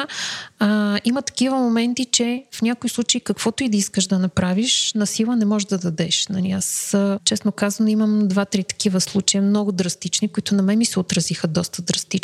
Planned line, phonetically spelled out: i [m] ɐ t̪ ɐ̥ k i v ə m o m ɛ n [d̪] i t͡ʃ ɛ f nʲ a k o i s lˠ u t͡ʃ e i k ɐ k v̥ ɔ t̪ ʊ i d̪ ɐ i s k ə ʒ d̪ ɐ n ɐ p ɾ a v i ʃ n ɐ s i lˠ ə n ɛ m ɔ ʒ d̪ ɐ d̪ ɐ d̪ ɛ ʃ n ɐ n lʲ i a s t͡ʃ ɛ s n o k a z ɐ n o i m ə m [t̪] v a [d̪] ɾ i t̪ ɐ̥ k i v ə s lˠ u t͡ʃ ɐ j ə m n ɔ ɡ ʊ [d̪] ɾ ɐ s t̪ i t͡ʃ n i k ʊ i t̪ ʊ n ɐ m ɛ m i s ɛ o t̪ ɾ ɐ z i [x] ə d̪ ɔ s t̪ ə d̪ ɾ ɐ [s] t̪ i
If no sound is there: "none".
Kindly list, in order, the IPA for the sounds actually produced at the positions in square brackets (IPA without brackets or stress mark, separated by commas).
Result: m, t̪, d̪, t̪, d̪, x, s